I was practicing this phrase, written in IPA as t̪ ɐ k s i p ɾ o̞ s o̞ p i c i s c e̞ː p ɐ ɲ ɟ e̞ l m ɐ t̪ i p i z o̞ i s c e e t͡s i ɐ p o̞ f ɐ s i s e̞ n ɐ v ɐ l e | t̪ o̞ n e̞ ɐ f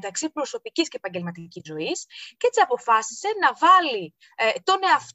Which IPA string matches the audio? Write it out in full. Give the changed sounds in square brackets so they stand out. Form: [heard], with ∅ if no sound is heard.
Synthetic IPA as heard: t̪ ɐ k s i p ɾ o̞ s o̞ p i c i s c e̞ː p ɐ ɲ ɟ e̞ l m ɐ t̪ i [c] i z o̞ i s c e e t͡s i ɐ p o̞ f ɐ s i s e̞ n ɐ v ɐ l [i] | t̪ o̞ n e̞ ɐ f